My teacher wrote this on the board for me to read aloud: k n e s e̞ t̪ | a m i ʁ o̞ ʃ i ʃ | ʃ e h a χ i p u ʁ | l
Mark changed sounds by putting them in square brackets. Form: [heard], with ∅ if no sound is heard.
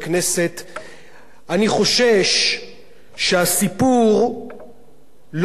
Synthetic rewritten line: k n e s e̞ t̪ | a [n] i [χ] o̞ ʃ [e] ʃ | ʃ e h a [s] i p u ʁ | l